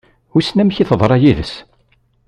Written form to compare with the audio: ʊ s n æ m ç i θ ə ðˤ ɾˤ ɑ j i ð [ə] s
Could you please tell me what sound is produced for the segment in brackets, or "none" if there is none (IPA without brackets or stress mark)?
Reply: ə